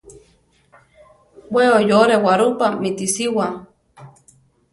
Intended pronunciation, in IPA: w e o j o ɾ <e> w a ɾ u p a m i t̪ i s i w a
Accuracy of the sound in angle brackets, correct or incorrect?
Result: correct